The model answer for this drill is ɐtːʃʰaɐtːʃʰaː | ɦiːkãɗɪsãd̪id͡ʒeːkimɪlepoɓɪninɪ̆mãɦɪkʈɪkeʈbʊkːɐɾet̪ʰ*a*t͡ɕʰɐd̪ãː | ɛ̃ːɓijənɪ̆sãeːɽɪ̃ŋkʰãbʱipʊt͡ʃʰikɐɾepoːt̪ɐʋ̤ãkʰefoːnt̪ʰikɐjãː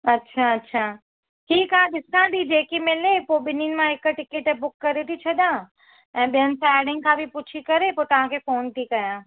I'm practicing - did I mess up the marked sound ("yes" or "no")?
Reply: yes